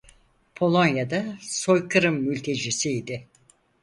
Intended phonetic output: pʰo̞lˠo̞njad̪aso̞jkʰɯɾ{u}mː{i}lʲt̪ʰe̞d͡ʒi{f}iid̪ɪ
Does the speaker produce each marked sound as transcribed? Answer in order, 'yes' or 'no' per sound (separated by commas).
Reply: no, no, no